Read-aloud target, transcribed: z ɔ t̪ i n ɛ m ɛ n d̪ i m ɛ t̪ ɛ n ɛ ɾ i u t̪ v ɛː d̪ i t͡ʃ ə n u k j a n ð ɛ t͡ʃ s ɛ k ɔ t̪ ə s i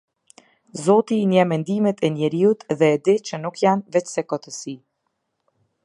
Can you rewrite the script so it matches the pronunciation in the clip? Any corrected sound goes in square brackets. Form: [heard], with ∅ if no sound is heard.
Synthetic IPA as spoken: z ɔ t̪ i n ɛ m ɛ n d̪ i m ɛ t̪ ɛ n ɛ ɾ i u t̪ [ð] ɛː d̪ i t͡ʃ ə n u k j a n [v] ɛ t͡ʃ s ɛ k ɔ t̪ ə s i

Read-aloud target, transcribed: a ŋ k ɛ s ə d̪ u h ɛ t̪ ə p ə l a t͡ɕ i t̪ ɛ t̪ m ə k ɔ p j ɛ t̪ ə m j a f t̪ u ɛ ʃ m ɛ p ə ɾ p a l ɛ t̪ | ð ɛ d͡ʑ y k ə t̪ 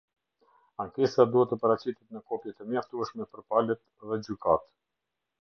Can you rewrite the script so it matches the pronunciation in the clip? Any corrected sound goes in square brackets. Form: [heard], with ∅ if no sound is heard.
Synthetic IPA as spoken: a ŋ k ɛ s [a] d̪ u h ɛ t̪ ə p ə [ɾ] a t͡ɕ i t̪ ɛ t̪ [n] ə k ɔ p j ɛ t̪ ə m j a f t̪ u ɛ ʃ m ɛ p ə ɾ p a l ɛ t̪ | ð ɛ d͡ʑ y k [a] t̪

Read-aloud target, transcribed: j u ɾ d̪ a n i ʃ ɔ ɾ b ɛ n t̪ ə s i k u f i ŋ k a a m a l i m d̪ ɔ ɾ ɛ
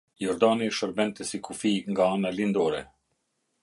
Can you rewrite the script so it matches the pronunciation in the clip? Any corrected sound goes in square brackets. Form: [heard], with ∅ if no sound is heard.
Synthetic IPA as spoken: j [ɔ] ɾ d̪ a n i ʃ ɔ ɾ b ɛ n t̪ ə s i k u f i ŋ [ɡ] a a [n] a l i [n] d̪ ɔ ɾ ɛ

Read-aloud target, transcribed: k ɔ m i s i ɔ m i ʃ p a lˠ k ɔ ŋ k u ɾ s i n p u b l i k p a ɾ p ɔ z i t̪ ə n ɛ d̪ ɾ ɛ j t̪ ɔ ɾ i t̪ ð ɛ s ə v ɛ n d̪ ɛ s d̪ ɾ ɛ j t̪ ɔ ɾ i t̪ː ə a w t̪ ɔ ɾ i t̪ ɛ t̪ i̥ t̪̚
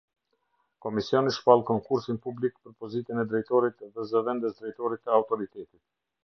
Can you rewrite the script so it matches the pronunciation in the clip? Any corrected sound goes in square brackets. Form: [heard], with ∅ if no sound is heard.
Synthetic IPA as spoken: k ɔ m i s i ɔ [n] i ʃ p a lˠ k ɔ ŋ k u ɾ s i n p u b l i k p [ə] ɾ p ɔ z i t̪ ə n ɛ d̪ ɾ ɛ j t̪ ɔ ɾ i t̪ ð ɛ [z] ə v ɛ n d̪ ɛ s d̪ ɾ ɛ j t̪ ɔ ɾ i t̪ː ə a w t̪ ɔ ɾ i t̪ ɛ t̪ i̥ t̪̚

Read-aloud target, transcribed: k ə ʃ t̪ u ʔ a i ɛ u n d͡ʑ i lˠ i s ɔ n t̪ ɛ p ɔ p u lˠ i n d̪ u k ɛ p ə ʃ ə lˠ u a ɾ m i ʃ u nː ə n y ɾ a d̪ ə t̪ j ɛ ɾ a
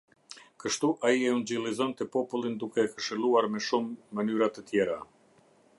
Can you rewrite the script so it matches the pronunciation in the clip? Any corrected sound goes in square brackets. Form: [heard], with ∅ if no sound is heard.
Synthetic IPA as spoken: k ə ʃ t̪ u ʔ a i ɛ u n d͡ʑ i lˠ i [z] ɔ n t̪ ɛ p ɔ p u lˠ i n d̪ u k ɛ [k] ə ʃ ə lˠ u a ɾ m [ɛ] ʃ u [mː] ə n y ɾ a [t̪] ə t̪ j ɛ ɾ a

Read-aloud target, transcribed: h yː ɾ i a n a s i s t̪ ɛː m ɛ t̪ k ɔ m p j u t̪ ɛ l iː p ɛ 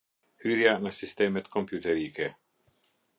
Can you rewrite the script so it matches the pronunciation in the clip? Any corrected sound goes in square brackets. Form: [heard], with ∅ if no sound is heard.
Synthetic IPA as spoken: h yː ɾ [j] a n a s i s t̪ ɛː m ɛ t̪ k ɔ m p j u t̪ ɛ [ɾ] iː [k] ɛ

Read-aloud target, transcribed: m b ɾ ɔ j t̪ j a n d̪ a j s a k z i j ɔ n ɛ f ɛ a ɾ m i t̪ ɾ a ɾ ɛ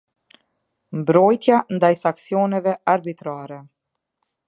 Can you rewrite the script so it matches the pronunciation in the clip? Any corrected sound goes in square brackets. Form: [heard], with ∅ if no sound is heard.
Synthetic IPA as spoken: m b ɾ ɔ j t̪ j a n d̪ a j s a k [s] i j ɔ n ɛ [v] ɛ a ɾ [b] i t̪ ɾ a ɾ ɛ

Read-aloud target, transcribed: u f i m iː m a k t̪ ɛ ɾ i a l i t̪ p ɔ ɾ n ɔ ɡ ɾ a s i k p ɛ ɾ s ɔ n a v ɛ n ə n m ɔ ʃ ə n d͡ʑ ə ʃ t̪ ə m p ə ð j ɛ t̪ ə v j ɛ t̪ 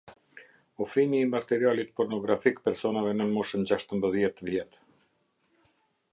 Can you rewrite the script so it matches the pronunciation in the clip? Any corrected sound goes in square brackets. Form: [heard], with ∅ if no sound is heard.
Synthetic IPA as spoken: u f i m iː m a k t̪ ɛ ɾ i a l i t̪ p ɔ ɾ n ɔ ɡ ɾ a [f] i k p ɛ ɾ s ɔ n a v ɛ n ə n m ɔ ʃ ə n d͡ʑ [a] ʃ t̪ ə m [b] ə ð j ɛ t̪ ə v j ɛ t̪

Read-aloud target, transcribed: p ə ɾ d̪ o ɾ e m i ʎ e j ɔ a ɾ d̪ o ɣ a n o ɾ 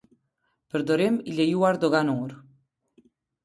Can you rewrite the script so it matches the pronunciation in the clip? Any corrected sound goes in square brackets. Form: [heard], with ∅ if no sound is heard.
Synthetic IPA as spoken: p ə ɾ d̪ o ɾ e m i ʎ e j [u] a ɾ d̪ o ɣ a n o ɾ

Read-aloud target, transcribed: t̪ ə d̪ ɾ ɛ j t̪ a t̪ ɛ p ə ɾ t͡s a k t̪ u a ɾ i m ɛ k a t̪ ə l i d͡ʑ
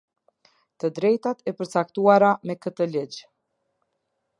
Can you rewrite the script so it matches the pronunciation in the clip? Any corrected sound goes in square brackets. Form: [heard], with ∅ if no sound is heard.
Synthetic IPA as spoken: t̪ ə d̪ ɾ ɛ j t̪ a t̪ ɛ p ə ɾ t͡s a k t̪ u a ɾ [a] m ɛ k [ə] t̪ ə l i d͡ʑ

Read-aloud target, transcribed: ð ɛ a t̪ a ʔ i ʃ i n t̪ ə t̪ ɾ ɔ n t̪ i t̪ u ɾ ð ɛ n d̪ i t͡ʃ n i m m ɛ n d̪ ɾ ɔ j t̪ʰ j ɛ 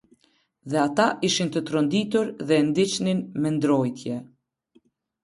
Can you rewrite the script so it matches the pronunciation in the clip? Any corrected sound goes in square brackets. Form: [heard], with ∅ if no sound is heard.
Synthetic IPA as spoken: ð ɛ a t̪ a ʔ i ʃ i n t̪ ə t̪ ɾ ɔ n [d̪] i t̪ u ɾ ð ɛ n d̪ i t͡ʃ n i [n] m ɛ n d̪ ɾ ɔ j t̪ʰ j ɛ

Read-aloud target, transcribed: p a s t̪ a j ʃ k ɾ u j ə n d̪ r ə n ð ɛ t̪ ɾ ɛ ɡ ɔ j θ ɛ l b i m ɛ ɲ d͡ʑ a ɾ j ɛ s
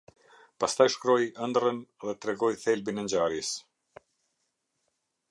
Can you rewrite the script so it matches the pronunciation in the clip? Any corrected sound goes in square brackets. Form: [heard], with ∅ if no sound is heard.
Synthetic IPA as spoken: p a s t̪ a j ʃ k ɾ [ɔ] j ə n d̪ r ə n ð ɛ t̪ ɾ ɛ ɡ ɔ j θ ɛ l b i [n] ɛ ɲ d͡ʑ a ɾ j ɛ s

